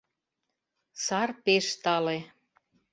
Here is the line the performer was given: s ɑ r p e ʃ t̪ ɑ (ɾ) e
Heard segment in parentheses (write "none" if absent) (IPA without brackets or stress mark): l